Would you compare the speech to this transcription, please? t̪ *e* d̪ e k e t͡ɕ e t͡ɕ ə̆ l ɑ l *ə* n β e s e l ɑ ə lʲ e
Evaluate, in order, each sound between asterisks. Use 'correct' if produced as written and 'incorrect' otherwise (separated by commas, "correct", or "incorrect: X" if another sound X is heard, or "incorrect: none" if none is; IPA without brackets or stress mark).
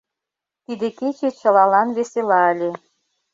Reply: incorrect: i, incorrect: ɑ